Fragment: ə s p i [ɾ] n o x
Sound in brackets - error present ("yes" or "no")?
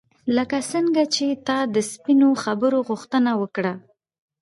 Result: yes